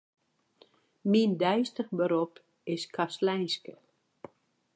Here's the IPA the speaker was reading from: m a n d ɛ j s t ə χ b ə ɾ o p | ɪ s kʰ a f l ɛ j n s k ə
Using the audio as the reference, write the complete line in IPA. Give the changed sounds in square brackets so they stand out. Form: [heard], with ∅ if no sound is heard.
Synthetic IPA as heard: m [i] n d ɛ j s t ə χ b ə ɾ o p | ɪ s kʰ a [s] l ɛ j n s k ə

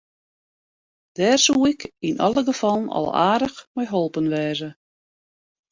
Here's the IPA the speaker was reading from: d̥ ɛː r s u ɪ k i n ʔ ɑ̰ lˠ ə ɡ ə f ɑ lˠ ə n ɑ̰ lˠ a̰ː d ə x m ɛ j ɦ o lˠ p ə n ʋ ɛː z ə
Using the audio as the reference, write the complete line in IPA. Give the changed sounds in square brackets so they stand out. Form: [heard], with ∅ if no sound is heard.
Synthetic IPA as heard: d̥ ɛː r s u ɪ k i n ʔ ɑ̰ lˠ ə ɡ ə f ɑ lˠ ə n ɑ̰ lˠ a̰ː d ə x m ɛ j ɦ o lˠ p ə n ʋ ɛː z ə

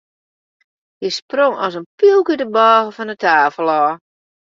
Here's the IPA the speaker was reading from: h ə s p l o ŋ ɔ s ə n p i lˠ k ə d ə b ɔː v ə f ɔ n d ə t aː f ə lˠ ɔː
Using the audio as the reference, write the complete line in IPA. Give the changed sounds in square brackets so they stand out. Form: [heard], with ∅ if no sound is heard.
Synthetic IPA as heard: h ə s p [r] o ŋ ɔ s ə n p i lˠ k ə d ə b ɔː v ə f ɔ n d ə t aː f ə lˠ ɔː

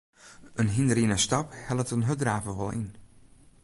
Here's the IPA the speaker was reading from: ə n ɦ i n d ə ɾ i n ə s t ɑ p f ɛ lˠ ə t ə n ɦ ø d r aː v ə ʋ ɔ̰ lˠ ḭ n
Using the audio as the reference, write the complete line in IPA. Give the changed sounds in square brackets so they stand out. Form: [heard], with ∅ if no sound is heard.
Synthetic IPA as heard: ə n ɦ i n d ə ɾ i n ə s t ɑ p [h] ɛ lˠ ə t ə n ɦ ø d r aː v ə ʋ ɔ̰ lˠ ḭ n

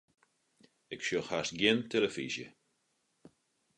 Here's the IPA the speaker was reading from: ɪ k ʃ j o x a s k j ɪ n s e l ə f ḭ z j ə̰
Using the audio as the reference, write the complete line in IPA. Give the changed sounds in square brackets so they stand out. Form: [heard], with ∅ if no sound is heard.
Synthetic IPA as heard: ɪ k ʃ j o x a s [ɡ] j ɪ n [t] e l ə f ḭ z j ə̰

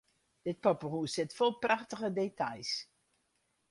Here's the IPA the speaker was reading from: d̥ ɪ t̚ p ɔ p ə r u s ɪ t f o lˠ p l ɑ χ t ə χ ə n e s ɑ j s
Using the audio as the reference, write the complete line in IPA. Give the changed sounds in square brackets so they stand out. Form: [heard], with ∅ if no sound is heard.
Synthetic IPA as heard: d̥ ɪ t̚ p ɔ p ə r u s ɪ t f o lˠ p [r] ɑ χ t ə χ ə [d] e [t] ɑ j s

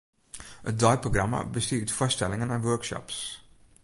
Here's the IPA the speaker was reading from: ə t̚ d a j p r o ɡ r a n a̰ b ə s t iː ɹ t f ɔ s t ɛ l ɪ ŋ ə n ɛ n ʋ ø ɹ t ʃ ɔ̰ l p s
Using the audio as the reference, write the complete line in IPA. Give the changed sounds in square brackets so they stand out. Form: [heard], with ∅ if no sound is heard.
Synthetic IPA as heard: ə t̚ d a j p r o ɡ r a [m] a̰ b ə s t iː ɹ t f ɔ s t ɛ l ɪ ŋ ə n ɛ n ʋ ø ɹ [k] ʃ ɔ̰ [∅] p s

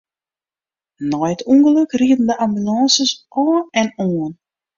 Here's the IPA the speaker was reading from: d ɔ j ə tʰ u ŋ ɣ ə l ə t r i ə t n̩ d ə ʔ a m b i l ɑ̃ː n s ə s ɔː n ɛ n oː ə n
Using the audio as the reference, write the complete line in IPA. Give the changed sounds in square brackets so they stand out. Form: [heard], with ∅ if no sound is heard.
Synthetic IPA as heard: [n] ɔ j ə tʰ u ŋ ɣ ə l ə [k] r i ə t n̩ d ə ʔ a m b [y] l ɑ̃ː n s ə s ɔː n ɛ n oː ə n

